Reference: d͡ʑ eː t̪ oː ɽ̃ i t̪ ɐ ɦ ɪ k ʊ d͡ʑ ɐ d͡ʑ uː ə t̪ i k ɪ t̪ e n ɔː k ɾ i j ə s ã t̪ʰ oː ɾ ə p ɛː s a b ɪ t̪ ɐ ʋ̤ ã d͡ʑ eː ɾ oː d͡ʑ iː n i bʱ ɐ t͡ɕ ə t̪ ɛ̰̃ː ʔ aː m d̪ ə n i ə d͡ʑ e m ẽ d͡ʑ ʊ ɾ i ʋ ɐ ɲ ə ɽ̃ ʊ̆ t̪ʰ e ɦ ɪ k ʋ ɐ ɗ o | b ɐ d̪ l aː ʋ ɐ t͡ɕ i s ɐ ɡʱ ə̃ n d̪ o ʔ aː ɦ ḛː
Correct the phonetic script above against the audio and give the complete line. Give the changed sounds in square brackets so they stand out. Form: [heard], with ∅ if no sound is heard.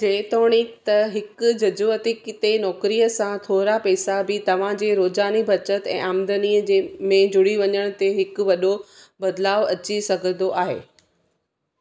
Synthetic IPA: d͡ʑ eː t̪ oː ɽ̃ i t̪ ɐ ɦ ɪ k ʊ d͡ʑ ɐ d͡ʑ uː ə t̪ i k ɪ t̪ e n ɔː k ɾ i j ə s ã t̪ʰ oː ɾ [a] p ɛː s a b ɪ t̪ ɐ ʋ̤ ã d͡ʑ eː ɾ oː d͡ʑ [aː] n i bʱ ɐ t͡ɕ ə t̪ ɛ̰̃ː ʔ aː m d̪ ə n i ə d͡ʑ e m ẽ d͡ʑ ʊ [ɽ] i ʋ ɐ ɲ ə ɽ̃ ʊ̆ [t̪] e ɦ ɪ k ʋ ɐ ɗ o | b ɐ d̪ l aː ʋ ɐ t͡ɕ i s ɐ ɡʱ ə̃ n d̪ o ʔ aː ɦ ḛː

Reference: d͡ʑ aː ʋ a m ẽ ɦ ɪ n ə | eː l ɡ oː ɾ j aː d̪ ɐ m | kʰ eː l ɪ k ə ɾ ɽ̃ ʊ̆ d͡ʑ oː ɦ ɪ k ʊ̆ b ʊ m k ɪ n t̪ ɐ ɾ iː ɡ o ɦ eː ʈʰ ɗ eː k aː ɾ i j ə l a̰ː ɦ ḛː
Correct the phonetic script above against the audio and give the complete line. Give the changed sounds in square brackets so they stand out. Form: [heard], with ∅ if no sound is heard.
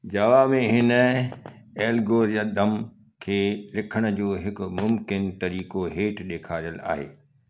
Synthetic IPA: d͡ʑ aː ʋ a m ẽ ɦ ɪ n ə | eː l ɡ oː ɾ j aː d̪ ɐ m | kʰ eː l ɪ [kʰ] ə [∅] ɽ̃ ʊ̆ d͡ʑ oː ɦ ɪ k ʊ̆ [m] ʊ m k ɪ n t̪ ɐ ɾ iː [k] o ɦ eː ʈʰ ɗ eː [kʰ] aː ɾ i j ə l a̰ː ɦ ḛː

